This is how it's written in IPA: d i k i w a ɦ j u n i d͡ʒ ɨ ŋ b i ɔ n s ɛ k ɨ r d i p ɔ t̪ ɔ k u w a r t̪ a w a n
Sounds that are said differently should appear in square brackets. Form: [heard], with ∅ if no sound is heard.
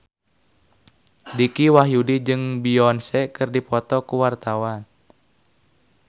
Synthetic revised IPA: d i k i w a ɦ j u [d] i d͡ʒ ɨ ŋ b i ɔ n s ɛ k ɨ r d i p ɔ t̪ ɔ k u w a r t̪ a w a n

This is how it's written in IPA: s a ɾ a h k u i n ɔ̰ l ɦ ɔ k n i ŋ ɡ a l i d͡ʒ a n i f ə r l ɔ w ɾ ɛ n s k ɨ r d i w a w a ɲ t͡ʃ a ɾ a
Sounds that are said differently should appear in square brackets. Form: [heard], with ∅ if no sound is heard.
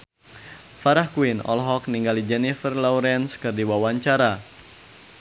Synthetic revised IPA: [f] a ɾ a h k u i n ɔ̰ l ɦ ɔ k n i ŋ ɡ a l i d͡ʒ [ɛ] n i f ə r l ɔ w ɾ ɛ n s k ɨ r d i w a w a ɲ t͡ʃ a ɾ a

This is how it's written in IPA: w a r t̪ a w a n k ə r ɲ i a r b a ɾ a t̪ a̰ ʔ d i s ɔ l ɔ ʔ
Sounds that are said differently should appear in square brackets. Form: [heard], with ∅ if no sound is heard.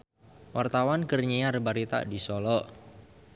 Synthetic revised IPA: w a r t̪ a w a n k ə r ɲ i a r b a ɾ [i] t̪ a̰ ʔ d i s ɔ l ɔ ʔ

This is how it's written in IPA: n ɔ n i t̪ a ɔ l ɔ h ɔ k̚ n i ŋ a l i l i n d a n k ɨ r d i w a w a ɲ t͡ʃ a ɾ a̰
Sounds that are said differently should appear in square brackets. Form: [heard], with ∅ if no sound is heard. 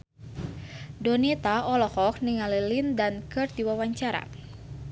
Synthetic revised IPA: [d] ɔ n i t̪ a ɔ l ɔ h ɔ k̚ n i ŋ a l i l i n d a n k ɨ r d i w a w a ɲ t͡ʃ a ɾ a̰

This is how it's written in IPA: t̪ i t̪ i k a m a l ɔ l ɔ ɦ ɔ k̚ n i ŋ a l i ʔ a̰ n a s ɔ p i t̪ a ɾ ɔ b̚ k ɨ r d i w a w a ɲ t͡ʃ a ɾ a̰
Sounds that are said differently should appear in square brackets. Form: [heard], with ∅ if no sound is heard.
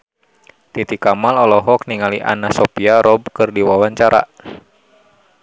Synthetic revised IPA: t̪ i t̪ i k a m a l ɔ l ɔ ɦ ɔ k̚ n i ŋ a l i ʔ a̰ n a s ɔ p i [∅] a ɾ ɔ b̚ k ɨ r d i w a w a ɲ t͡ʃ a ɾ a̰

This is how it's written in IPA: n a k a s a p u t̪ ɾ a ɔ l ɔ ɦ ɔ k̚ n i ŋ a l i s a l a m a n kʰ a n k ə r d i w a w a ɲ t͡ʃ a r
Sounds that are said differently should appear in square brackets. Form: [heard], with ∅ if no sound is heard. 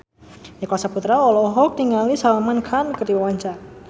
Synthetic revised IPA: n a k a s a p u t̪ ɾ a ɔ l ɔ ɦ ɔ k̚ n i ŋ a l i s a l a m a n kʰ a n k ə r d i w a w a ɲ t͡ʃ a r

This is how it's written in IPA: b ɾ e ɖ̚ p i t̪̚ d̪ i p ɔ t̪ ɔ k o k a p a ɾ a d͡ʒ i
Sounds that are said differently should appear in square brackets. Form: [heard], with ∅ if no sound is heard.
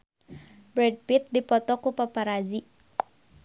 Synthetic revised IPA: b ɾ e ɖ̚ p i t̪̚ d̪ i p ɔ t̪ ɔ k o [p] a p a ɾ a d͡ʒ i

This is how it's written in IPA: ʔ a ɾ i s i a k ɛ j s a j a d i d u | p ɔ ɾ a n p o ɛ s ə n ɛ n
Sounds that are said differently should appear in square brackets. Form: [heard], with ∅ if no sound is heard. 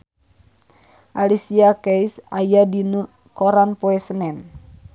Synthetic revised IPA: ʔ a [l] i s i a k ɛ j s a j a d i [n] u | [k] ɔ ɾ a n p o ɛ s ə n ɛ n

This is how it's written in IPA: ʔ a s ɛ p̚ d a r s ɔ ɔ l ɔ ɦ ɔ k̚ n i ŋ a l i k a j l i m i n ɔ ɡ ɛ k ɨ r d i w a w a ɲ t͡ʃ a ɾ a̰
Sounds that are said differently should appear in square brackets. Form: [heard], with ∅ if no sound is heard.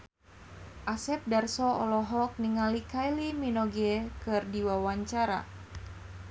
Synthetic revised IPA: ʔ a s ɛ p̚ d a r s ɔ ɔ l ɔ ɦ ɔ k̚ n i ŋ a l i k a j l i m i n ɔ ɡ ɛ k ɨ r d i w a w a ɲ t͡ʃ a ɾ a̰

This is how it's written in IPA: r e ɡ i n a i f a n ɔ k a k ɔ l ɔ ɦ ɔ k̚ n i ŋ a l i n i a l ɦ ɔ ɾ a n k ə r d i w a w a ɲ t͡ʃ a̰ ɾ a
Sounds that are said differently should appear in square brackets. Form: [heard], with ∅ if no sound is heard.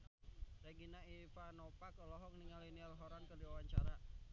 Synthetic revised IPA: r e ɡ i n a i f a n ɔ [p] a k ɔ l ɔ ɦ ɔ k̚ n i ŋ a l i n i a l ɦ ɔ ɾ a n k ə r d i w a w a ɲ t͡ʃ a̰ ɾ a

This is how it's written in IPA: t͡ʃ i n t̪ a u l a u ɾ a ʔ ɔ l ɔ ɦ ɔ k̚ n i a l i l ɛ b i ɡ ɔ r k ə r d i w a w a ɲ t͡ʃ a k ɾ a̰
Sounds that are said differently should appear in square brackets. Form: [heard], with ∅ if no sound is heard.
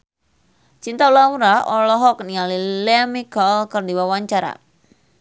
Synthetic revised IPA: t͡ʃ i n t̪ a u l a u ɾ a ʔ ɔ l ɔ ɦ ɔ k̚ n i a l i l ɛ [m] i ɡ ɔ [l] k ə r d i w a w a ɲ t͡ʃ a [∅] ɾ a̰

